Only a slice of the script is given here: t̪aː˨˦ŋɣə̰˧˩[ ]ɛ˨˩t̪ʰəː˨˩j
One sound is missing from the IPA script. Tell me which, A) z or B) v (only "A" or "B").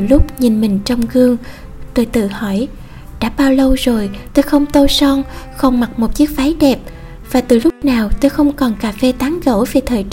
B